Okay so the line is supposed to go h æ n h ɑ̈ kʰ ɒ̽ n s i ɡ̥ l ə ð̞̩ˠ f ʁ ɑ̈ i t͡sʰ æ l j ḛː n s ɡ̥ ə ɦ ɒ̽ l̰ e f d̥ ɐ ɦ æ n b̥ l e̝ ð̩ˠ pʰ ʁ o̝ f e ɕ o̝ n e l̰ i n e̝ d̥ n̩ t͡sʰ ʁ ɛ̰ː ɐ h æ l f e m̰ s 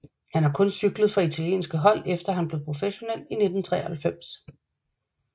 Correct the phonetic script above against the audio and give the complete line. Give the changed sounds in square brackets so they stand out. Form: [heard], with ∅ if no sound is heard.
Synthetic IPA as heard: h æ n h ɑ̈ kʰ [ɔ̽] n s [y] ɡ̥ l ə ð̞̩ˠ f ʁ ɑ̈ i t͡sʰ æ l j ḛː n s ɡ̥ ə ɦ ɒ̽ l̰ e f d̥ ɐ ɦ æ n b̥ l e̝ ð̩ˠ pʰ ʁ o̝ f e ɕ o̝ n e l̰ i n e̝ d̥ n̩ t͡sʰ ʁ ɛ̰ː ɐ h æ l f e m̰ s